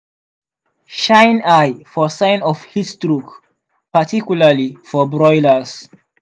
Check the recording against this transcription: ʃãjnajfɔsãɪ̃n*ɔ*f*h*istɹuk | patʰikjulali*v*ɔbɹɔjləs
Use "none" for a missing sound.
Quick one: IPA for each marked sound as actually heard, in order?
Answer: ɔ, h, f

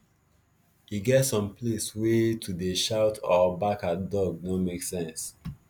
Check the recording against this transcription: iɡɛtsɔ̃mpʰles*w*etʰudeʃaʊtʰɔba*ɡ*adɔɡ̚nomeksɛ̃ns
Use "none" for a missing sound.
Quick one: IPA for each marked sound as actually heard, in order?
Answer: w, k

